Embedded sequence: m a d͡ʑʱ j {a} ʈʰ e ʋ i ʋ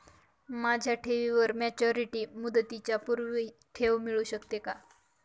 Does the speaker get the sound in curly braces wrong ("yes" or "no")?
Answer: no